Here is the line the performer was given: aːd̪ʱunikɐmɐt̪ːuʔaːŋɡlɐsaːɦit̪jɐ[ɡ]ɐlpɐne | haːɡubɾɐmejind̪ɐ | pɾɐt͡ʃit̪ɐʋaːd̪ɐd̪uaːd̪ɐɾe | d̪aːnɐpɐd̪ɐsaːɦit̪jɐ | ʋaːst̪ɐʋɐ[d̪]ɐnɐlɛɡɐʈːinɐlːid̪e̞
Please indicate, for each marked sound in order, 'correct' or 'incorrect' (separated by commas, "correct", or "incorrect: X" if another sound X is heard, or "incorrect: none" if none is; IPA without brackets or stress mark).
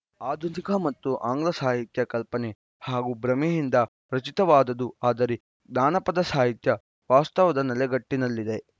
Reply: incorrect: k, correct